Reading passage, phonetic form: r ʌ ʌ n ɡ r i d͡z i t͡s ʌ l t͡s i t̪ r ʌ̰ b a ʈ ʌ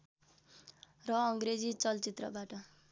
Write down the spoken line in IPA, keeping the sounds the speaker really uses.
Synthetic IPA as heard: r ʌ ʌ ŋ ɡ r e d͡z i t͡s ʌ l t͡s i t̪ r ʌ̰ b a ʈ ʌ